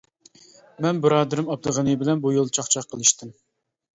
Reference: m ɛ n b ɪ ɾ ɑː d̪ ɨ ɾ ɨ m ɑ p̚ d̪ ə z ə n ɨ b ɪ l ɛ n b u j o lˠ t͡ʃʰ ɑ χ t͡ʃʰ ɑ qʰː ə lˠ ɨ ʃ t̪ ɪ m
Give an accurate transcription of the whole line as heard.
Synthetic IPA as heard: m ɛ n b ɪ ɾ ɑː d̪ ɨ ɾ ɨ m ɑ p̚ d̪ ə ʁ ə n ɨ b ɪ l ɛ n b u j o lˠ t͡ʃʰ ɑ χ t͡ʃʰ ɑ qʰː ə lˠ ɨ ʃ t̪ ɪ m